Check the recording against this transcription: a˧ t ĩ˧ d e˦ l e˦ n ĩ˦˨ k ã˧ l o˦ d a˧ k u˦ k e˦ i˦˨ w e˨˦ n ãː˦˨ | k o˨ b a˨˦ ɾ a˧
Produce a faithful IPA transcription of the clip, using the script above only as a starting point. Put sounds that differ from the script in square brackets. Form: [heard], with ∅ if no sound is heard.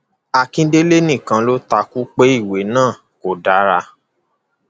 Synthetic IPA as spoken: a˧ [k] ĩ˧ d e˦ l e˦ n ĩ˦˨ k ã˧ l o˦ [t] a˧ k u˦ [k͡p] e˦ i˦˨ w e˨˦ n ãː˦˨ | k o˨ [d] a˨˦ ɾ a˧